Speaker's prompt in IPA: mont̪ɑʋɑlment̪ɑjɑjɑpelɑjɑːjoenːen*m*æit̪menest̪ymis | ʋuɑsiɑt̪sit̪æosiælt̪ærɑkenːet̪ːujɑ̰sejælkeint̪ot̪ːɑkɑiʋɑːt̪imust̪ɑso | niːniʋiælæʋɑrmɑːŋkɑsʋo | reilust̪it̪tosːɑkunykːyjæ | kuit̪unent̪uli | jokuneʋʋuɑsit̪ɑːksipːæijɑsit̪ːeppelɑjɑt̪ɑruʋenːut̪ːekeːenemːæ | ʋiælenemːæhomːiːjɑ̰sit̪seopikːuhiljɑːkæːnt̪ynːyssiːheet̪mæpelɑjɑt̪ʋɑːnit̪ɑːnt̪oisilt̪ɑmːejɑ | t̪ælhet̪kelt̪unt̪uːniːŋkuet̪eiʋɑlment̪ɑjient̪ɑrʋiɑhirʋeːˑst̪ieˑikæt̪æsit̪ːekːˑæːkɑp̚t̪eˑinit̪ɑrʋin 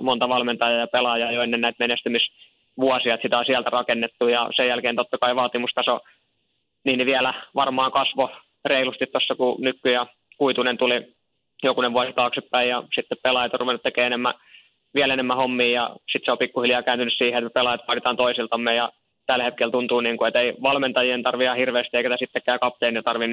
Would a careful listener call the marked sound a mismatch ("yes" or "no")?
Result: yes